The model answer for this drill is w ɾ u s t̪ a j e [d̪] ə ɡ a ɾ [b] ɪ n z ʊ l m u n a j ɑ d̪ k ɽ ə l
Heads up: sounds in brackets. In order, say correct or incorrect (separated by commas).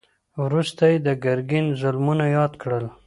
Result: correct, incorrect